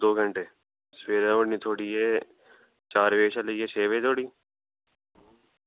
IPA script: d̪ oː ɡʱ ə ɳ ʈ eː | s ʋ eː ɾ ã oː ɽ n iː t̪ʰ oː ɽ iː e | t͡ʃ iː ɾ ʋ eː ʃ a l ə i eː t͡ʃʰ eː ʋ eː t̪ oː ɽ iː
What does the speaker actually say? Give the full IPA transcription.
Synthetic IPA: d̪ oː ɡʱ ə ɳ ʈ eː | s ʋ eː ɾ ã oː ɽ n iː t̪ʰ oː ɽ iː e | t͡ʃ aː ɾ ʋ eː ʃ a l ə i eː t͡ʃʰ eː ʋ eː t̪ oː ɽ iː